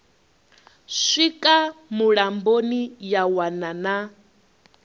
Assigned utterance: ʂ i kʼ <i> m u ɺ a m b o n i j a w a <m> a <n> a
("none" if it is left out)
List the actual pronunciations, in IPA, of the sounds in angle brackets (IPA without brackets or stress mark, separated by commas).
a, n, n